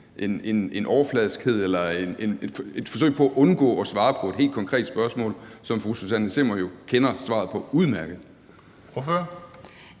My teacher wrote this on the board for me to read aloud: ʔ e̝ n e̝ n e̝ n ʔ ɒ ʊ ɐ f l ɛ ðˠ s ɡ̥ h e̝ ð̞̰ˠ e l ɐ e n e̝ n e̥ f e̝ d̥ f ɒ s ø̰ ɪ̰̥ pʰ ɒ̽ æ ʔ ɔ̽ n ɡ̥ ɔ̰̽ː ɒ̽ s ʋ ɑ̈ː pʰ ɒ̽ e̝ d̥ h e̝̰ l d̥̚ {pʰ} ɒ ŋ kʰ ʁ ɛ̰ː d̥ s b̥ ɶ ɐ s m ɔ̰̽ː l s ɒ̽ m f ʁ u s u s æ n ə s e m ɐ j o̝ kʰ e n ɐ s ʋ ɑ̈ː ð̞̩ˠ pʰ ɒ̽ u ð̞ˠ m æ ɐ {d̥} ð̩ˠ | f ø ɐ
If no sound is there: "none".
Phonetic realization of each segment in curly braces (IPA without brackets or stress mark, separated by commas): kʰ, ɡ̥